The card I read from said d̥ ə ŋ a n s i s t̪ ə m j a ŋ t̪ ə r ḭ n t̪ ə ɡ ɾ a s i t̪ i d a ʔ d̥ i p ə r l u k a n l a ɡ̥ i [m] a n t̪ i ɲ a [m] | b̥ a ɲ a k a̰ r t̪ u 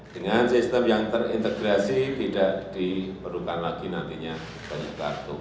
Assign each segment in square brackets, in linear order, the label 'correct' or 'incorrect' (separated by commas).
incorrect, incorrect